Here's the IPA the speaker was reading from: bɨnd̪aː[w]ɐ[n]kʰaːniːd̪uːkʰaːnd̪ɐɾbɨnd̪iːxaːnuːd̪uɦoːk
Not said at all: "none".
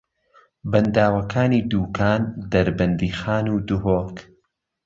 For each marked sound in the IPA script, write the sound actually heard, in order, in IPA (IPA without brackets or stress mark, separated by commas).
w, none